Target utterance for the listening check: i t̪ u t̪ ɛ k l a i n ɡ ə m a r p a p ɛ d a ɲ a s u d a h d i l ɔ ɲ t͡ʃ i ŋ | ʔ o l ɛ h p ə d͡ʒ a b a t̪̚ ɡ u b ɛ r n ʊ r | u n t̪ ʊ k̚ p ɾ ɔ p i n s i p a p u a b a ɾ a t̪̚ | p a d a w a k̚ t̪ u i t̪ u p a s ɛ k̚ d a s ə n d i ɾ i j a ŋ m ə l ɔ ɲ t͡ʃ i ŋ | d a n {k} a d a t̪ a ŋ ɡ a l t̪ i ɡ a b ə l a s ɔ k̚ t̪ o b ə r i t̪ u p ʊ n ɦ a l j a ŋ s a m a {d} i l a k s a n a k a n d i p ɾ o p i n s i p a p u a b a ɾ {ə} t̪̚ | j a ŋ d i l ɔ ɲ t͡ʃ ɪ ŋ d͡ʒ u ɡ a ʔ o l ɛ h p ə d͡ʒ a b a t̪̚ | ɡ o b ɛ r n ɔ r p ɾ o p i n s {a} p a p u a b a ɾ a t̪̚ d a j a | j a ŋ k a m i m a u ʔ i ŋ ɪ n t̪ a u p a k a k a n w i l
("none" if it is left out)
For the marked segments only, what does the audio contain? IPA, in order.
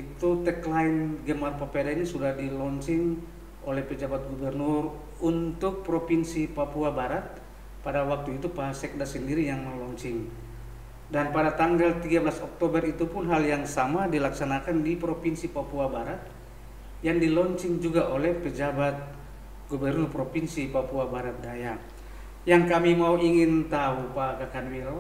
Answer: p, d, a, i

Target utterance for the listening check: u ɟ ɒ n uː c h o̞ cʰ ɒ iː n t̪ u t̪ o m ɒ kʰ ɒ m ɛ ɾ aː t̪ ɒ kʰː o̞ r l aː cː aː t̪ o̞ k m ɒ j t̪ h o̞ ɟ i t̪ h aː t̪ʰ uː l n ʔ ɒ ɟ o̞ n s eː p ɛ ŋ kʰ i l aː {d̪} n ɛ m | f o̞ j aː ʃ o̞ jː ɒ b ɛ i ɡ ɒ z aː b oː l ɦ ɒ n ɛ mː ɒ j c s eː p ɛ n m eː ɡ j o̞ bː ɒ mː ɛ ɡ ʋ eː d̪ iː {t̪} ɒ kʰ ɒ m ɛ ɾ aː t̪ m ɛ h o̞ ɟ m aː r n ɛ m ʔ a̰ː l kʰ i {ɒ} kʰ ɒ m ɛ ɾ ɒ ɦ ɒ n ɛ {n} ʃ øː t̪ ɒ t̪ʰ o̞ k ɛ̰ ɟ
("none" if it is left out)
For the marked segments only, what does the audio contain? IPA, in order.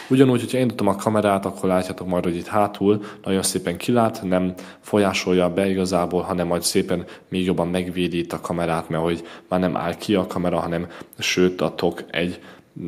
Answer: t̪, t̪, ɒ, m

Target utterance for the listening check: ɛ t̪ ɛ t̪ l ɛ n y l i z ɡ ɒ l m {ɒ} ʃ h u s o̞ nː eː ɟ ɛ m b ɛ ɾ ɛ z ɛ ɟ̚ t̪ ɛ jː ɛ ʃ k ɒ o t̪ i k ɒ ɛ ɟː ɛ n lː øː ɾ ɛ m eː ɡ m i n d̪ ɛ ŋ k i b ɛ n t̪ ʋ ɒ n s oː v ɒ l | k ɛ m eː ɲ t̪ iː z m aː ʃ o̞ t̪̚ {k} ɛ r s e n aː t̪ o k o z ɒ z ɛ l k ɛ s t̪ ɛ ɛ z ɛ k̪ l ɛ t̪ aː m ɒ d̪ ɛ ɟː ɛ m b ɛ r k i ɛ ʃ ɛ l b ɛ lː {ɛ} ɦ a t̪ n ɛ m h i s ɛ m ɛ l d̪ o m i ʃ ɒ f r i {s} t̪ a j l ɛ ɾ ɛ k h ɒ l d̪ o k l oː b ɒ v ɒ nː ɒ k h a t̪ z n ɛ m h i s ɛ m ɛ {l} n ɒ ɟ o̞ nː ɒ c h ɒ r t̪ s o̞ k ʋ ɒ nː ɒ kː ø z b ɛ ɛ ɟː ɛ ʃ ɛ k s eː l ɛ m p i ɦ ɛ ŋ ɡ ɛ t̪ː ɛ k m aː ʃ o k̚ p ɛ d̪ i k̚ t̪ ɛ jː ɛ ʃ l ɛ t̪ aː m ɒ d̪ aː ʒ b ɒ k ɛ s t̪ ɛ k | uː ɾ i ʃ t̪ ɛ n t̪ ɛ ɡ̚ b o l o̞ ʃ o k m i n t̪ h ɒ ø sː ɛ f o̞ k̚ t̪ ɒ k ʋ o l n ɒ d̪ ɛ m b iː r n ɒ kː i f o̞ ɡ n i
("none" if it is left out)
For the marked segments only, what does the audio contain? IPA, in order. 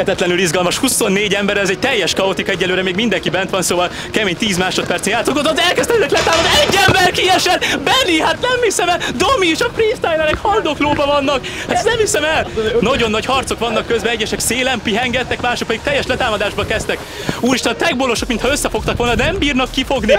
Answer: ɒ, p, i, s, l

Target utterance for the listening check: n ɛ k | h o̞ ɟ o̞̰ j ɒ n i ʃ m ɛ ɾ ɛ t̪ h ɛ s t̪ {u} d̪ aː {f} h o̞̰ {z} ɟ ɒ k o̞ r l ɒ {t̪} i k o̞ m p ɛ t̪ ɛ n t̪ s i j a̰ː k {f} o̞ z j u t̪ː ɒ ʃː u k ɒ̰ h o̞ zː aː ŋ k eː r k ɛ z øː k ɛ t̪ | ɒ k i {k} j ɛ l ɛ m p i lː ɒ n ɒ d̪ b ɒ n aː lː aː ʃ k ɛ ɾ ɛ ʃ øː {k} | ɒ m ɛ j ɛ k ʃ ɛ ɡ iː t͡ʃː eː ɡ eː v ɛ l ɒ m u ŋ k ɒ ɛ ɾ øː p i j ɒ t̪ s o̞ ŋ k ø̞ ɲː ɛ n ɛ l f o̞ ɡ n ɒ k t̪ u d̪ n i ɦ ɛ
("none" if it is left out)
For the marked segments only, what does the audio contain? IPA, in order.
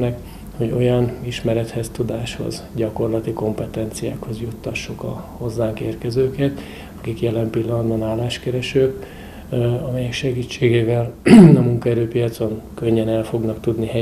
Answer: u, ʃ, z, t̪, h, k, k

